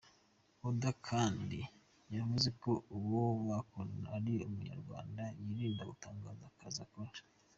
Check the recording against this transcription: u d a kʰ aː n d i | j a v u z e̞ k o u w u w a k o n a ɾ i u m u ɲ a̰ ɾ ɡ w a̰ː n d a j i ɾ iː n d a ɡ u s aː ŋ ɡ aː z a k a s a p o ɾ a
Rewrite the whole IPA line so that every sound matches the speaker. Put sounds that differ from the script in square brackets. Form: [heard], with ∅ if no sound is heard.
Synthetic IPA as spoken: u d a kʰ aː n d i | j a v u z e̞ k o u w [o] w a k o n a ɾ i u m u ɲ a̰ ɾ ɡ w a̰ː n d a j i ɾ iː n d a ɡ u [t] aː ŋ ɡ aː z a k a [z] a [k] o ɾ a